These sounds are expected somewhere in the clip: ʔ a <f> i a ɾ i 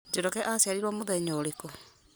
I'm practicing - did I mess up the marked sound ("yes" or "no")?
yes